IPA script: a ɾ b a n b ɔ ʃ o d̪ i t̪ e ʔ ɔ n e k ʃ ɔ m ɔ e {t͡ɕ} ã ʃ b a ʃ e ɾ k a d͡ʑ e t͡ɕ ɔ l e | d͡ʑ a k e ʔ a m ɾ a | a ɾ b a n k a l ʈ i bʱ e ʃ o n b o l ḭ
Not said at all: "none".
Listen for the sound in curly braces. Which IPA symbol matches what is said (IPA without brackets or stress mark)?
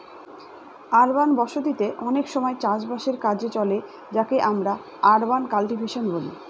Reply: t͡ɕ